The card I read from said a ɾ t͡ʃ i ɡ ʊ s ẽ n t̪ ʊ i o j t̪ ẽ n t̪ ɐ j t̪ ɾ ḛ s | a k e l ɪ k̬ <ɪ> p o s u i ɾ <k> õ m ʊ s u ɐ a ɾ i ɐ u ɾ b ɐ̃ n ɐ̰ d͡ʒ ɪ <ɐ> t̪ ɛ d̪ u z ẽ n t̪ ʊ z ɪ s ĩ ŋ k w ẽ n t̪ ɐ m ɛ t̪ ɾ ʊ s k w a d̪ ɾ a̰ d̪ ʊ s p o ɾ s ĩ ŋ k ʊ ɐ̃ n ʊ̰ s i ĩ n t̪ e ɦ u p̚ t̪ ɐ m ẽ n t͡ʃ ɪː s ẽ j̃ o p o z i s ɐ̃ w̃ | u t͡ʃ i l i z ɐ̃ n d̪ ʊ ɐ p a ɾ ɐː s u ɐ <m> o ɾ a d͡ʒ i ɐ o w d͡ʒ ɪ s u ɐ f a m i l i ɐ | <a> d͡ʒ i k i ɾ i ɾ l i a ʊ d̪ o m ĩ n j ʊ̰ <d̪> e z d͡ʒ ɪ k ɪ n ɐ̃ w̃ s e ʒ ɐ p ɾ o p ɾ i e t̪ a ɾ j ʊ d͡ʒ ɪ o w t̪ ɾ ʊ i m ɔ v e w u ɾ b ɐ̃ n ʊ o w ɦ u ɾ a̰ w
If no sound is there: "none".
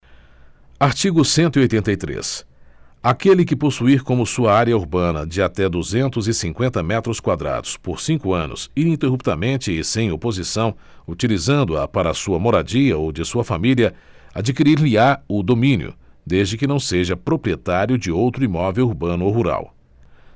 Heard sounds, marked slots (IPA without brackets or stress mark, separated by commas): ɪ, k, a, m, a, d̪